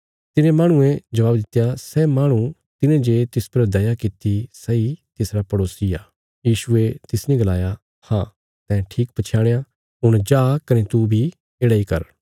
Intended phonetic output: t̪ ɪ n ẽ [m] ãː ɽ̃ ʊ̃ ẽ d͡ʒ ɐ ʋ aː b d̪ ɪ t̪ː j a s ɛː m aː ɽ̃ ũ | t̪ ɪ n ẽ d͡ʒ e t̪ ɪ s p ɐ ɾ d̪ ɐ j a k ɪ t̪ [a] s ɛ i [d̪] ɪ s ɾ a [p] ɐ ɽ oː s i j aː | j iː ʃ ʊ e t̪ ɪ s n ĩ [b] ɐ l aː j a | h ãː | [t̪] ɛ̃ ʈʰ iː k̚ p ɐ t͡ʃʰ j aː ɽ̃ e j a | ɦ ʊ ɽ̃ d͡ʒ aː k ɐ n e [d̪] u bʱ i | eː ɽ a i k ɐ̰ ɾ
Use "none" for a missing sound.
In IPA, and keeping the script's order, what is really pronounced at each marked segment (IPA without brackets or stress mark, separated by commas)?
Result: m, i, t̪, p, ɡ, t̪, t̪